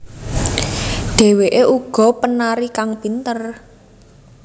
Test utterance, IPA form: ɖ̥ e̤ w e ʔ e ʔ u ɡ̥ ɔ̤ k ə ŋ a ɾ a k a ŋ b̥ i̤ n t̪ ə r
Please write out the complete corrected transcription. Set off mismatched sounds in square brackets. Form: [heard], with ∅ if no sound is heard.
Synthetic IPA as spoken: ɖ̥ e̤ w e ʔ e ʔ u ɡ̥ ɔ̤ [p] ə [n] a ɾ [i] k a ŋ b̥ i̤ n t̪ ə r